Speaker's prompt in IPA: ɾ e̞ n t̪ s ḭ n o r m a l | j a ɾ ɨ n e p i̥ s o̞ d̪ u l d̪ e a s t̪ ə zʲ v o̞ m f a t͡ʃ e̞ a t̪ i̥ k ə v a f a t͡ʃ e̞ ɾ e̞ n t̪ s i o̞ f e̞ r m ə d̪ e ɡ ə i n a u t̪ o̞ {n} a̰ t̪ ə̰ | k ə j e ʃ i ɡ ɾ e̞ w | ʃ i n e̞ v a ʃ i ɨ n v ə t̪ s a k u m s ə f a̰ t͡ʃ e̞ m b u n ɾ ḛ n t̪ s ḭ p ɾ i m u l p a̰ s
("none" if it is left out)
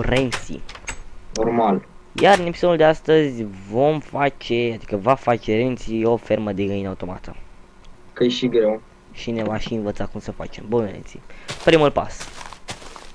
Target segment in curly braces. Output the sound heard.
m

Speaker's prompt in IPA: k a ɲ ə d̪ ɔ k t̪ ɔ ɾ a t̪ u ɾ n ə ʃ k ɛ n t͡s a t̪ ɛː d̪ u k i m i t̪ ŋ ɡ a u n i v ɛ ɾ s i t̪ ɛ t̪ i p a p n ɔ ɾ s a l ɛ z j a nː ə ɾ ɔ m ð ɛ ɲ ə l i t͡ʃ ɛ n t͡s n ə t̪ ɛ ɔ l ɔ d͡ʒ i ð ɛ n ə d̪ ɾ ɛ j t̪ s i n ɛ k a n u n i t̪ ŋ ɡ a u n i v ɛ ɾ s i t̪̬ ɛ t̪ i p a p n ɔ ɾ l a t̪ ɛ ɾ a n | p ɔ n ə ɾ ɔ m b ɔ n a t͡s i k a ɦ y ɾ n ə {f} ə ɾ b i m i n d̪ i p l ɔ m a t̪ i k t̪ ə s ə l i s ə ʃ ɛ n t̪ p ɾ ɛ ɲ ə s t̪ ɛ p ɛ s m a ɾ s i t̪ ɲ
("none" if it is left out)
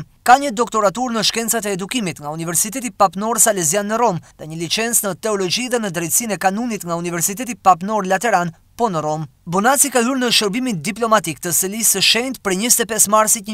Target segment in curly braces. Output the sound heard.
ʃ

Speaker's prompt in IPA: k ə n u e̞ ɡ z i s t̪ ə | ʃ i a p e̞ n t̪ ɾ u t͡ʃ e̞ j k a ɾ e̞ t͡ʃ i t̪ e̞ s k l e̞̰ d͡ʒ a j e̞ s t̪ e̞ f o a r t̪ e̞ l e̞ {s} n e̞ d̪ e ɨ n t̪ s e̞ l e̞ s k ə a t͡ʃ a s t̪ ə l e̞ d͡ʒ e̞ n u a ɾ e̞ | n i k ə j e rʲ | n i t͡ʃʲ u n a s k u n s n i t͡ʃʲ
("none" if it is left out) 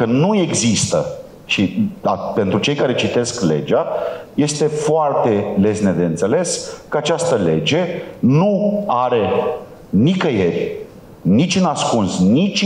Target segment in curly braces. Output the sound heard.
s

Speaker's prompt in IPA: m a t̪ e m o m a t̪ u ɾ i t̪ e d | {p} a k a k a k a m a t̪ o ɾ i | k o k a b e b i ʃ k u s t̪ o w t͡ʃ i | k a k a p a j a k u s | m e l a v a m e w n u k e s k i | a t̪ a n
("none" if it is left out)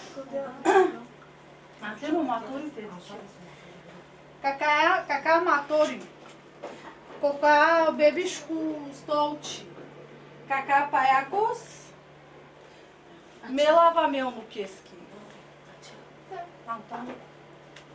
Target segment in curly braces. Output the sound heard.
k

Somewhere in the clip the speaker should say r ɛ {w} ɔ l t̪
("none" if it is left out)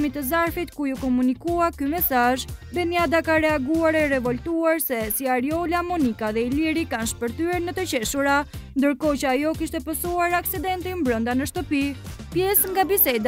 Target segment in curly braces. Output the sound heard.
v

